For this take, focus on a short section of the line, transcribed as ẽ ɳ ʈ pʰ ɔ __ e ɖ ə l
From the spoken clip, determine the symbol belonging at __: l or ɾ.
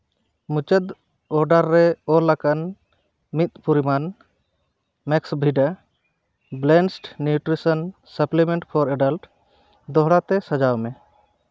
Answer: ɾ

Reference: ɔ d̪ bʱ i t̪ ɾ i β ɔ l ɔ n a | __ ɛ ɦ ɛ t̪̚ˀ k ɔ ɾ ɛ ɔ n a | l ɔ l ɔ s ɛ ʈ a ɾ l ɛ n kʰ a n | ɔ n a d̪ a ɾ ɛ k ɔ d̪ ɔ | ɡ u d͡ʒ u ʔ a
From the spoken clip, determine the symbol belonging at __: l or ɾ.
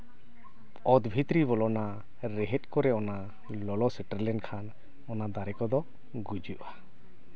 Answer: ɾ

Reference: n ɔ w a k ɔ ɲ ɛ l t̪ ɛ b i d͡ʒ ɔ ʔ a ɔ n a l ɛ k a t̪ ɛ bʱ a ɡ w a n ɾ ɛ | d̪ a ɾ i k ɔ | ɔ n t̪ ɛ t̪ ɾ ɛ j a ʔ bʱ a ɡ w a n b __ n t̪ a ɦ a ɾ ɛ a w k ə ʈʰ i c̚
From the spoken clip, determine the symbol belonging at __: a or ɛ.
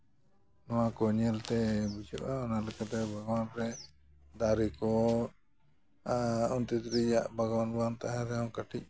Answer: a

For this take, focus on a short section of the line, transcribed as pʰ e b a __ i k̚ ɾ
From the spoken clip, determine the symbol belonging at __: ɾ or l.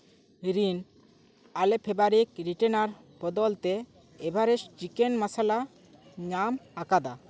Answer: ɾ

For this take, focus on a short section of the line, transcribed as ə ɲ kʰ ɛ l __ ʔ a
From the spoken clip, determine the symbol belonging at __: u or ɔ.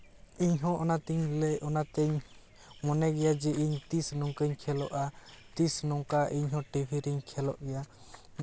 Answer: ɔ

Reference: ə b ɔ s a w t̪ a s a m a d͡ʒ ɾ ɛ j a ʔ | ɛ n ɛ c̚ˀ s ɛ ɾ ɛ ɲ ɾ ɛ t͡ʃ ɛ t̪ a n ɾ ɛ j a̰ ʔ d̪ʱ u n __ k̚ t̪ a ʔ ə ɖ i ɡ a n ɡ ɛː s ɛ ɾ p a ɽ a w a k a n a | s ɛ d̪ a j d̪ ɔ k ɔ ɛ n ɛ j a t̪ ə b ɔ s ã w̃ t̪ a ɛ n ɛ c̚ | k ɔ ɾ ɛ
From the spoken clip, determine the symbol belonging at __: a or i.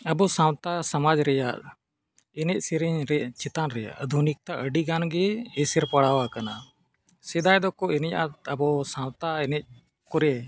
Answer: i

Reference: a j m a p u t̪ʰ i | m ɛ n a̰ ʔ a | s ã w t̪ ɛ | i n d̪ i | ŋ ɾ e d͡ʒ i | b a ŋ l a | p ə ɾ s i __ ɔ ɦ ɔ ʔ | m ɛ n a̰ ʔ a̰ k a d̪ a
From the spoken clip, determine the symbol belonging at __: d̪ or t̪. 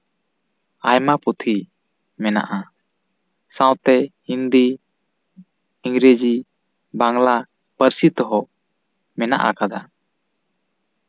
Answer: t̪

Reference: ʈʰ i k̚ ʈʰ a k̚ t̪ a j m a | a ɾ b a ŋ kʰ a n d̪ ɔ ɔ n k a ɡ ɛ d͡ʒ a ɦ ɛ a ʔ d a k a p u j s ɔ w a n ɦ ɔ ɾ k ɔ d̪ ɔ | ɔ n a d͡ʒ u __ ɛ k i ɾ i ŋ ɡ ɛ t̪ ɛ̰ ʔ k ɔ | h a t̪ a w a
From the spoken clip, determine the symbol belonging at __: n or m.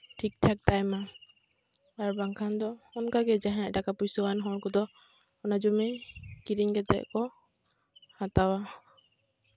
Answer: m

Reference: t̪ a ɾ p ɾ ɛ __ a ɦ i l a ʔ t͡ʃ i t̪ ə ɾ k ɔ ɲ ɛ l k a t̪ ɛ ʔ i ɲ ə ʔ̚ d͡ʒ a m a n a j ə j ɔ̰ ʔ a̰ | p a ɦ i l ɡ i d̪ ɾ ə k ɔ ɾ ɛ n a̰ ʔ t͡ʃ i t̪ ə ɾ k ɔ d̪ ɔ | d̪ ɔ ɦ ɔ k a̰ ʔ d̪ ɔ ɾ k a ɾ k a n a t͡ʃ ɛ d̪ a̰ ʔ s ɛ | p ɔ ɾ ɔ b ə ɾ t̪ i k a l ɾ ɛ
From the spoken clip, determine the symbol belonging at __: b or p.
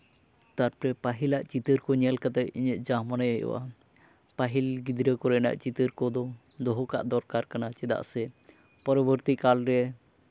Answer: p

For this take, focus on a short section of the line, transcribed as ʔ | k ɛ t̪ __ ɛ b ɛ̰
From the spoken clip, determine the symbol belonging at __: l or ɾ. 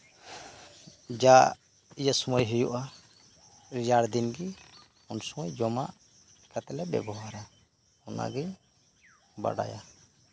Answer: l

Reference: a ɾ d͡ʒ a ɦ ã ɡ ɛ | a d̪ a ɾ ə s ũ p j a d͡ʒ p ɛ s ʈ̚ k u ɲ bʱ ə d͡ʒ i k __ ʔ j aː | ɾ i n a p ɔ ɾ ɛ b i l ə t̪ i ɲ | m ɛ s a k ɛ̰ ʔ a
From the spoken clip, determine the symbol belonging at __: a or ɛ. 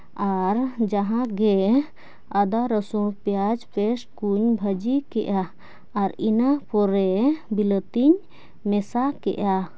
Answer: ɛ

